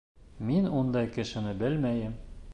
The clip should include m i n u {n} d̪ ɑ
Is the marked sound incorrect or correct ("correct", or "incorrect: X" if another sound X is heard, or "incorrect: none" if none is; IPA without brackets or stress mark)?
correct